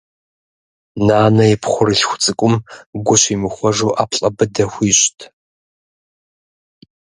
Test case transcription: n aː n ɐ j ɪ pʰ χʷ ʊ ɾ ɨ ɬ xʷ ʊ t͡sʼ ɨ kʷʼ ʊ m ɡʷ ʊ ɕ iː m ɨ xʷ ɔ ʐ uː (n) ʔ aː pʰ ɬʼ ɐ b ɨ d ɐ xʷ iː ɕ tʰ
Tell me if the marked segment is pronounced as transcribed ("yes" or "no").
no